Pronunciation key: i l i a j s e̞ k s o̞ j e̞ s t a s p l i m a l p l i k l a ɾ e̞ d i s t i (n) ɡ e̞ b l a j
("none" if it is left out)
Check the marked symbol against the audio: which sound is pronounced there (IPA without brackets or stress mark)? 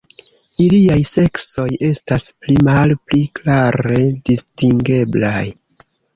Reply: ŋ